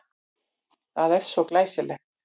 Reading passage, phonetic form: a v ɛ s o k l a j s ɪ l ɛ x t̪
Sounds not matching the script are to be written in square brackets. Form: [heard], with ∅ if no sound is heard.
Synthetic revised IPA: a [ð] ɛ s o k l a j s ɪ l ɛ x t̪